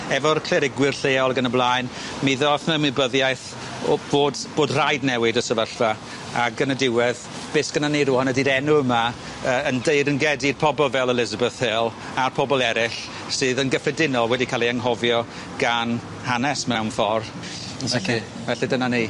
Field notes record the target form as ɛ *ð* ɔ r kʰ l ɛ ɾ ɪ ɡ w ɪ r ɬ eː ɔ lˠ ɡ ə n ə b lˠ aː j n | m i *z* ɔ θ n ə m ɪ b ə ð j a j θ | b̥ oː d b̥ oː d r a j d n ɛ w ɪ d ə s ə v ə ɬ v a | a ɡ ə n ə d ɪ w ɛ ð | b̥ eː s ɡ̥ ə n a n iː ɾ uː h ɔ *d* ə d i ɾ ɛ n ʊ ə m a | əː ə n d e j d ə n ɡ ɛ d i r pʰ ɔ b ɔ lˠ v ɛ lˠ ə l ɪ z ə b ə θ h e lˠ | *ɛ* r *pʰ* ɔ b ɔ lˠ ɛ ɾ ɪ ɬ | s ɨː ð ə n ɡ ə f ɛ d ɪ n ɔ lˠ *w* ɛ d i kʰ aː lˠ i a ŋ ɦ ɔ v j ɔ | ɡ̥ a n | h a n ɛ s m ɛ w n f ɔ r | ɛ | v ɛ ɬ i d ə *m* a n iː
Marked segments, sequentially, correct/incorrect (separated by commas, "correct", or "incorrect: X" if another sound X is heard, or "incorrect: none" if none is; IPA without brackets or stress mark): incorrect: v, incorrect: ð, incorrect: n, incorrect: a, correct, correct, incorrect: n